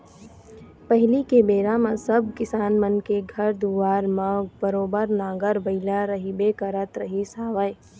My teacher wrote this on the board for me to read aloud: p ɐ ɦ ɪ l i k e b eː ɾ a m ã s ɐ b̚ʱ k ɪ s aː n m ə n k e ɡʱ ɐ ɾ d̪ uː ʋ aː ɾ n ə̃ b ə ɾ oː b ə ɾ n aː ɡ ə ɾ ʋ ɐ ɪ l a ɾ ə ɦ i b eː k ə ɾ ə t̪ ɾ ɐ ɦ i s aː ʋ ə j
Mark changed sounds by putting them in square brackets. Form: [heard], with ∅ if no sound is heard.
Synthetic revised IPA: p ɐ ɦ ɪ l i k e b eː ɾ a m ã s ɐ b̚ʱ k ɪ s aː n m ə n k e ɡʱ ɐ ɾ d̪ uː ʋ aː ɾ [m] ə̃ b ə ɾ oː b ə ɾ n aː ɡ ə ɾ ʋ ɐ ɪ l a ɾ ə ɦ i b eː k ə ɾ ə t̪ ɾ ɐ ɦ i s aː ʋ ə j